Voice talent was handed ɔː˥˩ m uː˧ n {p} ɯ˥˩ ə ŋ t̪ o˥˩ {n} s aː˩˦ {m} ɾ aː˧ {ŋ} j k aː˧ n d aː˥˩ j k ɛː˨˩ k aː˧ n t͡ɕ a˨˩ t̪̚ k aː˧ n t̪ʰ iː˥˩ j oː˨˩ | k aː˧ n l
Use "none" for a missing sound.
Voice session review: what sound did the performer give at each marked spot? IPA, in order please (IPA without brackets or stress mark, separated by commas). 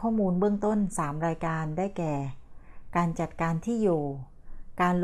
b, n, m, none